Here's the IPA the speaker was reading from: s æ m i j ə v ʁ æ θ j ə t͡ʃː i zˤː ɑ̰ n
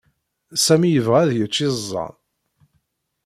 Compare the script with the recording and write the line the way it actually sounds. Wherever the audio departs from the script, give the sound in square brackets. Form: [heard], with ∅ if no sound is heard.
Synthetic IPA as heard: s æ m i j ə v ʁ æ [ð] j ə t͡ʃː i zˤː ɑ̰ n